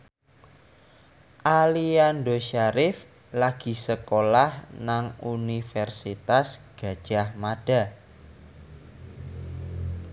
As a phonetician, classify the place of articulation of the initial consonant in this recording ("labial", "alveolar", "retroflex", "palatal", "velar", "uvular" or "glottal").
glottal